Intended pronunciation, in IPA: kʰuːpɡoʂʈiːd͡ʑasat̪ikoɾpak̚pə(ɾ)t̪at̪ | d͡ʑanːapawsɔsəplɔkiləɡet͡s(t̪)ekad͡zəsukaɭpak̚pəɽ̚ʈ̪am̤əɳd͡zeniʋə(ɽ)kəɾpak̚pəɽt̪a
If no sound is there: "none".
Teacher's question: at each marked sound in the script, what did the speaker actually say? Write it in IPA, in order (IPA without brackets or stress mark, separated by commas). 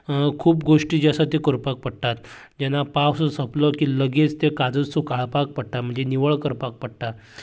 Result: ɽ, t̪, ɭ